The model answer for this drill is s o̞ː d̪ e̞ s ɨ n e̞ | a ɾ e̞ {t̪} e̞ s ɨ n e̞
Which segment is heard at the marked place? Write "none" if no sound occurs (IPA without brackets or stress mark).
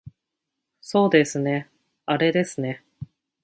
d̪